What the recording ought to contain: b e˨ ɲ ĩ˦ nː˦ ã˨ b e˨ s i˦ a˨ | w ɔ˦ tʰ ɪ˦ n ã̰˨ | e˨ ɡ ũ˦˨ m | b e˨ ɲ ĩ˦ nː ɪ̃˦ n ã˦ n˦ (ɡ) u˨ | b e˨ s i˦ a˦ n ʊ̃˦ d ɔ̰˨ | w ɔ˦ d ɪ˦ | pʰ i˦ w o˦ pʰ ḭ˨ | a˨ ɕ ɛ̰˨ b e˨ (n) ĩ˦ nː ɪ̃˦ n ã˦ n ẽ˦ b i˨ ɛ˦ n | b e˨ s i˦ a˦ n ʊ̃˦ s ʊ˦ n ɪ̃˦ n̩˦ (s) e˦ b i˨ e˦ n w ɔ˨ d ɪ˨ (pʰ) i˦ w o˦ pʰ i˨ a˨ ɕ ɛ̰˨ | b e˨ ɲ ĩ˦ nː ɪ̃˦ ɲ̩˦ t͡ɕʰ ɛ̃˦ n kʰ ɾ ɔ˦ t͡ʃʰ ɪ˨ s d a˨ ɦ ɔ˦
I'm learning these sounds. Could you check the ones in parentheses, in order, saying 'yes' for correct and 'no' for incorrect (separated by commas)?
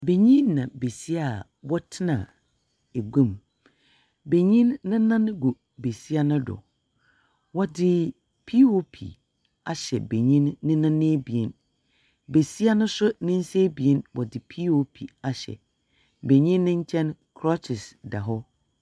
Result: yes, no, yes, yes